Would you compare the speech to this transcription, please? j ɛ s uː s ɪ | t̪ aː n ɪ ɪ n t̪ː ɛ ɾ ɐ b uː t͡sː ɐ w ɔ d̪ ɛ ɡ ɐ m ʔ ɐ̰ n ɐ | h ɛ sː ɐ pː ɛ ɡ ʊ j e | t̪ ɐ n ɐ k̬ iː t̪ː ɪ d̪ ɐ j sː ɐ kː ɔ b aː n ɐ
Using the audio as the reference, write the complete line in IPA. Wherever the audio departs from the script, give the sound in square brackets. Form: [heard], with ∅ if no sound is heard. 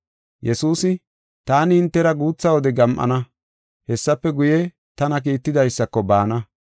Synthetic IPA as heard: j ɛ s uː s ɪ | t̪ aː n ɪ ɪ n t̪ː ɛ ɾ ɐ [ɡ] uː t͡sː ɐ w ɔ d̪ ɛ ɡ ɐ m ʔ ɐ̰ n ɐ | h ɛ sː ɐ pː ɛ ɡ ʊ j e | t̪ ɐ n ɐ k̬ iː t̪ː ɪ d̪ ɐ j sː ɐ kː ɔ b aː n ɐ